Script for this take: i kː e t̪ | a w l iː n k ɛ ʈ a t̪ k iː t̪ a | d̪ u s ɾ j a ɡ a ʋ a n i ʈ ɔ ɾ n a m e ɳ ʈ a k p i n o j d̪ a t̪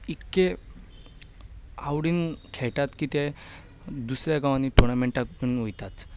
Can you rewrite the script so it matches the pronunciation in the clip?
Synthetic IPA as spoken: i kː e | a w ɽ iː n kʰ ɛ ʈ a t̪ k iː t̪ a | d̪ u s ɾ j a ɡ a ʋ a n i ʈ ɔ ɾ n a m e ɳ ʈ a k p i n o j t̪ a t̪